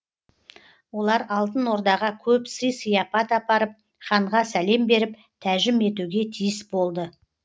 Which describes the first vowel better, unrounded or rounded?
rounded